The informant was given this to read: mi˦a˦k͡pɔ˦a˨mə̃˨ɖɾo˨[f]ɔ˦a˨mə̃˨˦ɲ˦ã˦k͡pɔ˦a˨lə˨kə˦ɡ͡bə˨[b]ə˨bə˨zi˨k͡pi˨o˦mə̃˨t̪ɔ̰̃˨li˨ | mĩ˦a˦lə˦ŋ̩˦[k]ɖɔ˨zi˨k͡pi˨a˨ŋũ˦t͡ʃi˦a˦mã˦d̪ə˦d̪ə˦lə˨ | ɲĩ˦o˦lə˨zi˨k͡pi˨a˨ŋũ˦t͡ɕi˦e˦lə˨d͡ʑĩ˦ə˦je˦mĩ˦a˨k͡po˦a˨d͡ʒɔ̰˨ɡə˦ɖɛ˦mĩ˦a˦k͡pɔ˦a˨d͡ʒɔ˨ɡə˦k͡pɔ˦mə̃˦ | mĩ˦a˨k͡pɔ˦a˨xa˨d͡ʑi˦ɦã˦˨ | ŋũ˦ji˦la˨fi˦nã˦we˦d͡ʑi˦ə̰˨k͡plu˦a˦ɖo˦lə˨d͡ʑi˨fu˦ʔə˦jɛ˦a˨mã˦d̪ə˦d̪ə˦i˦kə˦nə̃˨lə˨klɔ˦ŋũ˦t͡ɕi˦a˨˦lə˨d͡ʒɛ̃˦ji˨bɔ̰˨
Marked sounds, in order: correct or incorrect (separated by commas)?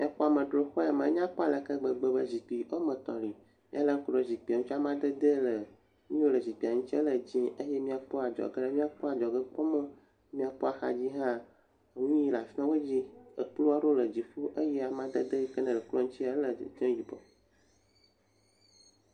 incorrect, incorrect, correct